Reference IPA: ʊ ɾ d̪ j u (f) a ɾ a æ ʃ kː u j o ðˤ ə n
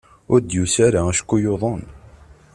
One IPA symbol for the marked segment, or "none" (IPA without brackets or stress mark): s